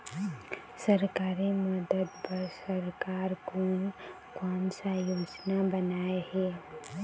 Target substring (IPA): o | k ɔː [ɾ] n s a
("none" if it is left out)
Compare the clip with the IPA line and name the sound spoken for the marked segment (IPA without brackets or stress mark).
none